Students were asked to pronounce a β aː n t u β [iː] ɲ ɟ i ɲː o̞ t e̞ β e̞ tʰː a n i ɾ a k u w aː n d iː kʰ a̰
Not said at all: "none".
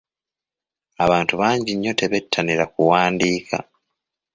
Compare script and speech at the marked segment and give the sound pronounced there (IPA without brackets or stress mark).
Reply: aː